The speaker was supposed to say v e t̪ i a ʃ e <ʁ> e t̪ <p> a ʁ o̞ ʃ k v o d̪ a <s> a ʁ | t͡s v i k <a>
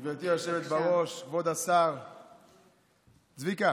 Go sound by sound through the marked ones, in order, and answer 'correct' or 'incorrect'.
incorrect: v, incorrect: b, correct, correct

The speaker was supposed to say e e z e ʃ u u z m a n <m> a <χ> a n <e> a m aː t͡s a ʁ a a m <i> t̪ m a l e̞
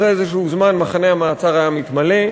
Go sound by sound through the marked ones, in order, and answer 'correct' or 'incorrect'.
correct, correct, correct, correct

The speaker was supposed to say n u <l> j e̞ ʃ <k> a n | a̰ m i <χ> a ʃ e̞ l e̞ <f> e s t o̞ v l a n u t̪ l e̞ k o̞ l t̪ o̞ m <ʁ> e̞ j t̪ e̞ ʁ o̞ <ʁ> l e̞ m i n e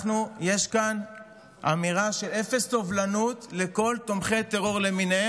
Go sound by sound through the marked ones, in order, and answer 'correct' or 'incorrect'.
incorrect: none, correct, incorrect: ʁ, correct, incorrect: χ, correct

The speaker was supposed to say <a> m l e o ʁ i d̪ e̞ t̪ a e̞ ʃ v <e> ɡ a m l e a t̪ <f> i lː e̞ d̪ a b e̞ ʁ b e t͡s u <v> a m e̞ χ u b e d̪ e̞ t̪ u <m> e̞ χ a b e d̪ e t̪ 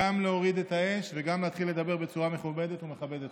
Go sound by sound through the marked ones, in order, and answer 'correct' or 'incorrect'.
correct, correct, incorrect: χ, incorrect: ʁ, correct

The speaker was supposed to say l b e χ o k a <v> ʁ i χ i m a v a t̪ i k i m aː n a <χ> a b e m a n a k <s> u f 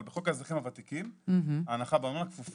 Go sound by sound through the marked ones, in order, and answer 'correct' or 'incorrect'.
incorrect: z, correct, incorrect: f

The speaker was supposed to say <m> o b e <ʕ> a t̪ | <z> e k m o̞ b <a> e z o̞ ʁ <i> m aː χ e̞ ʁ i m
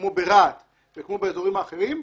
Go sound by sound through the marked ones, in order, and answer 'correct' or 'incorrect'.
correct, incorrect: ʁ, incorrect: v, incorrect: e, correct

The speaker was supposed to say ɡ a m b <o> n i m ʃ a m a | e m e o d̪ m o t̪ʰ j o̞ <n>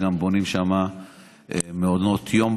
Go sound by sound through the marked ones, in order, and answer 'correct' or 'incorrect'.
correct, incorrect: m

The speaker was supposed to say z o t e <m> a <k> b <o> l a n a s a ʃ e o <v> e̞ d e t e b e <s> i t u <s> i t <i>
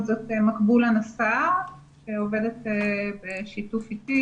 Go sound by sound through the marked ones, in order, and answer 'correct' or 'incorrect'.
correct, correct, incorrect: u, correct, incorrect: ʃ, incorrect: f, correct

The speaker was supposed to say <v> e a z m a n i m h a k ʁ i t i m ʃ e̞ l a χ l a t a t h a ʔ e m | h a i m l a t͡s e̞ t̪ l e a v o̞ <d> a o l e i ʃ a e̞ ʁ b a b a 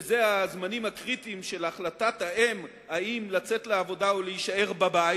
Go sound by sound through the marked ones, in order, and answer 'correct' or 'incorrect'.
incorrect: z, correct

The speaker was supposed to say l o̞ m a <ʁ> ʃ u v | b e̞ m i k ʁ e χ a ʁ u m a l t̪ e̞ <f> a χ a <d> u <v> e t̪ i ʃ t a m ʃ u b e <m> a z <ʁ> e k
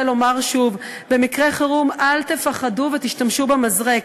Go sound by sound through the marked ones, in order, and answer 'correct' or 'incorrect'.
correct, correct, correct, correct, correct, correct

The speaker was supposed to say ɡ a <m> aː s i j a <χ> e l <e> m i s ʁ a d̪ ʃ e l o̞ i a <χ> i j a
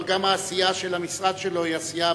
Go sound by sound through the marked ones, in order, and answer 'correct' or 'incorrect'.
correct, incorrect: ʃ, incorrect: a, incorrect: s

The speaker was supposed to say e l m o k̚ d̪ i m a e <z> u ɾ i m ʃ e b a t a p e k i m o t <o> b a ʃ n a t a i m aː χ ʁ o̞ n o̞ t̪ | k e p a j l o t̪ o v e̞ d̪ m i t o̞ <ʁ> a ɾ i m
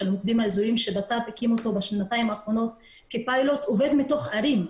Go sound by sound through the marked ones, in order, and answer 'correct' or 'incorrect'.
correct, correct, incorrect: χ

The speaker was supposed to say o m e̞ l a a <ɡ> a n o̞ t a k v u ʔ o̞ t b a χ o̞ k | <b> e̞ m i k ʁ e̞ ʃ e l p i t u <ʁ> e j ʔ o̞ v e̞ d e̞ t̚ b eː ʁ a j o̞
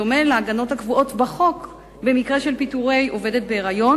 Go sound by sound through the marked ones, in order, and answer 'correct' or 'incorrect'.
correct, correct, correct

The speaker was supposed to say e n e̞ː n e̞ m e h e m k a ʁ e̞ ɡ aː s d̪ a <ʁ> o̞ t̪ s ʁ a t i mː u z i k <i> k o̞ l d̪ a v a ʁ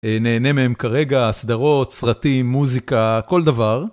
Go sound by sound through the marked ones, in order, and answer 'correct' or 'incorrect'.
correct, incorrect: a

